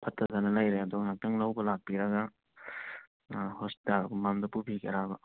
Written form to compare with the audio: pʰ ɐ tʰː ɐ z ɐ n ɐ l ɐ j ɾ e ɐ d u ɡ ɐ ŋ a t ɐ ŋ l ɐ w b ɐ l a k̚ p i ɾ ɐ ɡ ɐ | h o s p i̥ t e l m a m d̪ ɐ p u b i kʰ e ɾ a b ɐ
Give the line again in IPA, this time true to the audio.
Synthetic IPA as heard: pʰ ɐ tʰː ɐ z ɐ n ɐ l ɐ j ɾ e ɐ d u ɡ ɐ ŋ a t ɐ ŋ l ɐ w b ɐ l a k̚ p i ɾ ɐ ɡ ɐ | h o s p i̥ t a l m a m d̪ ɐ p u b i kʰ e ɾ a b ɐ